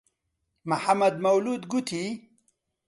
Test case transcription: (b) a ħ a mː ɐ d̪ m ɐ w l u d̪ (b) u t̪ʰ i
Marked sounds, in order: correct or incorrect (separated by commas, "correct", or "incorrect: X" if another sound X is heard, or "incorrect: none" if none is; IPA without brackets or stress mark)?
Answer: incorrect: m, incorrect: ɡ